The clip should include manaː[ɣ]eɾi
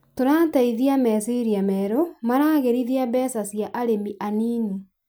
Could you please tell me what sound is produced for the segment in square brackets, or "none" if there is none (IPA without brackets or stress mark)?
ɣ